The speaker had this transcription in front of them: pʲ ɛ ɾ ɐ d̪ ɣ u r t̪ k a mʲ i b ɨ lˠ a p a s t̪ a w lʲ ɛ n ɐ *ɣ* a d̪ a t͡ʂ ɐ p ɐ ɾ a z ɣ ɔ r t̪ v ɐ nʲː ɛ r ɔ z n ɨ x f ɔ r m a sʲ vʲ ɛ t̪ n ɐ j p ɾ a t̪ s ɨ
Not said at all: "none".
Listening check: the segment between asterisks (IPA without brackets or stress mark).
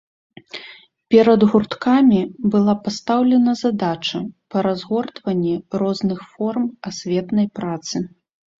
z